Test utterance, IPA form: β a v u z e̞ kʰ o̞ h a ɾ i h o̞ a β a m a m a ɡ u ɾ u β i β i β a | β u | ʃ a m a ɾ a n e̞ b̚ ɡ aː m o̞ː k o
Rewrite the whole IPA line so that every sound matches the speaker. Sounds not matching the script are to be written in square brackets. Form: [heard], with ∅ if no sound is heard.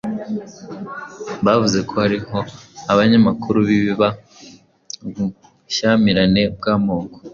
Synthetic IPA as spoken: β a v u z e̞ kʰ o̞ h a ɾ i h o̞ a β a [ɲ] a m a [k] u ɾ u β i β i β a | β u | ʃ a m [i] ɾ a n e̞ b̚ ɡ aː m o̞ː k o